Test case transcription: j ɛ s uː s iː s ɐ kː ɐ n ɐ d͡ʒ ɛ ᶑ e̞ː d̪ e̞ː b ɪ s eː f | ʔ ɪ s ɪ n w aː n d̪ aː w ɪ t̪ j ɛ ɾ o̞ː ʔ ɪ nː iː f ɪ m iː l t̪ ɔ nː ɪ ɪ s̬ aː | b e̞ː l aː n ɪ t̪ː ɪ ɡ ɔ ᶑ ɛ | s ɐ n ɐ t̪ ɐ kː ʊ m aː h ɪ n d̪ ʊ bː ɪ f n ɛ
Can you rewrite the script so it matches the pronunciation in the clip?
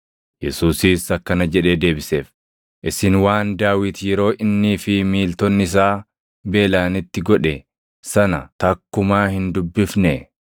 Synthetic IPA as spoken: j ɛ s uː s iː s ɐ kː ɐ n ɐ d͡ʒ ɛ ᶑ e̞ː d̪ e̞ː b ɪ s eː f | ʔ ɪ s ɪ n w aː n d̪ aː w ɪ t̪ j ɛ ɾ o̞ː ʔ ɪ nː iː f ɪ m iː l t̪ ɔ nː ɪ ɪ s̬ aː | b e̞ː l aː n ɪ t̪ː ɪ ɡ ɔ ᶑ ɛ | s ɐ n ɐ t̪ ɐ kː ʊ m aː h ɪ n d̪ ʊ bː ɪ f n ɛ